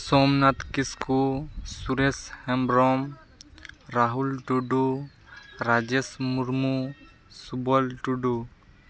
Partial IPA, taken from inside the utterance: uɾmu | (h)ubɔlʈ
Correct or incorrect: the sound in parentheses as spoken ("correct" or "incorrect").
incorrect